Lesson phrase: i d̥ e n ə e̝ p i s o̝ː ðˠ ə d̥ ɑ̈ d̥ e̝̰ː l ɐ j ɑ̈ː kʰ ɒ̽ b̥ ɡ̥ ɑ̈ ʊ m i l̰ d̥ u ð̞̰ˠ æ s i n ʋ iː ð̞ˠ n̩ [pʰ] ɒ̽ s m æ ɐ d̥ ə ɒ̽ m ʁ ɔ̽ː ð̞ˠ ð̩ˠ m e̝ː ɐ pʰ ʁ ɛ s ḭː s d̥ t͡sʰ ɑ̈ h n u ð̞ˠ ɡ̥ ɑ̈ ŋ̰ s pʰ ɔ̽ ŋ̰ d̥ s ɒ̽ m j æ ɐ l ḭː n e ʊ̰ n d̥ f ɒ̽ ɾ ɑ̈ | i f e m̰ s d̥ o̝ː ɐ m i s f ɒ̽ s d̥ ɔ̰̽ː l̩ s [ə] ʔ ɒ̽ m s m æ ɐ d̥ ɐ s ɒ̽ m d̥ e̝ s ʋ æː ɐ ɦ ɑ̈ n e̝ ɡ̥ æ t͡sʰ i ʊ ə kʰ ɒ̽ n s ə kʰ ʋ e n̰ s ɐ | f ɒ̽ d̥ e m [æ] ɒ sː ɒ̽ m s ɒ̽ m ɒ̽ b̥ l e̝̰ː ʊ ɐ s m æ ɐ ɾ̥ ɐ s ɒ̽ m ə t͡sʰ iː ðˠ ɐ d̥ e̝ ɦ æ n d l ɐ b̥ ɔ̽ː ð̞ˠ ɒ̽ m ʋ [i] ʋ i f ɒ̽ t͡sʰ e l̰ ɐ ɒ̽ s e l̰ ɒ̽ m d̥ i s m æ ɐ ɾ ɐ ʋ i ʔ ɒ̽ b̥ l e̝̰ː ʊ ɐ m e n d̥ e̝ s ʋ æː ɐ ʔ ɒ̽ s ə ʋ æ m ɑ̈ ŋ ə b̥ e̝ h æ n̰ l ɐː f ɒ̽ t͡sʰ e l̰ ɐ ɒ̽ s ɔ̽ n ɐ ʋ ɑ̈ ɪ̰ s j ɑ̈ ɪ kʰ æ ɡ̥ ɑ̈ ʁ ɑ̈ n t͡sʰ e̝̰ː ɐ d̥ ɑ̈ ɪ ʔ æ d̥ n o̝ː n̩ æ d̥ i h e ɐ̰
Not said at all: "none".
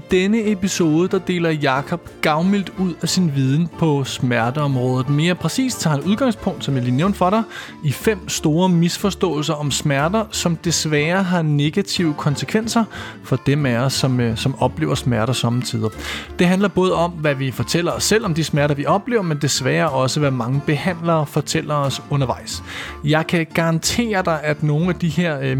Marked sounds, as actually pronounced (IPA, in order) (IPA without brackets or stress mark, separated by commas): pʰ, ɐ, æ, æ